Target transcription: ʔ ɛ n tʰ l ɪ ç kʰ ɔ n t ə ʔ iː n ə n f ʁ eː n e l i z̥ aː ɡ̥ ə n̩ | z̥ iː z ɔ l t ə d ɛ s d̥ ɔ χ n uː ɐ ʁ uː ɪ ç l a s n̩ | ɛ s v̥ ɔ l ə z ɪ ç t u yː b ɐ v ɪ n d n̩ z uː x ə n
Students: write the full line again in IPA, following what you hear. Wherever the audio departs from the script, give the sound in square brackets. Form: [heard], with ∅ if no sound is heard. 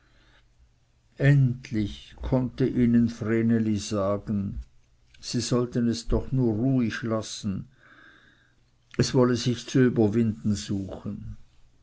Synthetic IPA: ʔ ɛ n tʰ l ɪ ç kʰ ɔ n t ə ʔ iː n ə n f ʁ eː n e l i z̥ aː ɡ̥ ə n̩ | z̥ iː z ɔ l t ə [n] ɛ s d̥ ɔ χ n uː ɐ ʁ uː ɪ ç l a s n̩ | ɛ s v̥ ɔ l ə z ɪ ç [t͡s] u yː b ɐ v ɪ n d n̩ z uː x ə n